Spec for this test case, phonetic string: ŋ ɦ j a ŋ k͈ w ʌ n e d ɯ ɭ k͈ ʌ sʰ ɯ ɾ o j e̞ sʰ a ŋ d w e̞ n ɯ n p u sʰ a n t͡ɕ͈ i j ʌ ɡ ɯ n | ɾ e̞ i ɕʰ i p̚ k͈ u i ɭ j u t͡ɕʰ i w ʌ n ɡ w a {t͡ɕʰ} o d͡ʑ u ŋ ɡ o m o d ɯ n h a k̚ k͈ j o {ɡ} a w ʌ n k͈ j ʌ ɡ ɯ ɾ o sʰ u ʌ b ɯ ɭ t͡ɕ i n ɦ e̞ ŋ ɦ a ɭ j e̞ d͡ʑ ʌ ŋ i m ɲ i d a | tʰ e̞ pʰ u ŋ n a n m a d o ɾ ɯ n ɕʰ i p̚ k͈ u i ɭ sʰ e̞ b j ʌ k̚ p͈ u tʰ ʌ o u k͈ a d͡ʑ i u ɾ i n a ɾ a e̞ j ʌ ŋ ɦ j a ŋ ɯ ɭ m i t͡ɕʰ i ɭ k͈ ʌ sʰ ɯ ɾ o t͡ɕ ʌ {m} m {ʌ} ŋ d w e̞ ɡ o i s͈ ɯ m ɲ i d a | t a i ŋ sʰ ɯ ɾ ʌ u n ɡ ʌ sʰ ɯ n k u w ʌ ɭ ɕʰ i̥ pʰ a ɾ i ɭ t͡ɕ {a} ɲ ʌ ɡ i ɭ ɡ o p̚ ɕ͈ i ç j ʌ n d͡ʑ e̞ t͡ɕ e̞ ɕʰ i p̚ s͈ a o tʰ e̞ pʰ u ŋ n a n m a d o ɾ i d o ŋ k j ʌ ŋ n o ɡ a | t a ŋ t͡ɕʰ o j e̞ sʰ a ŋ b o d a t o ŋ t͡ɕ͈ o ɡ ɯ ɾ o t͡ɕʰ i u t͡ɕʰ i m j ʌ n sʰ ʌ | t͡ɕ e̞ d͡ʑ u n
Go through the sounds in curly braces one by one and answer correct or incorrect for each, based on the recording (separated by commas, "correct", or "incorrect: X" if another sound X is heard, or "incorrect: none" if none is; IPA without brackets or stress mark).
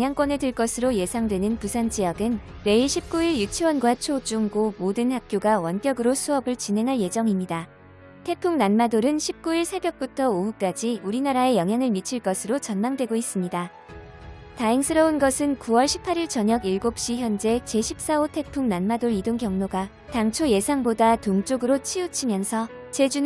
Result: correct, correct, incorrect: n, incorrect: a, incorrect: ʌ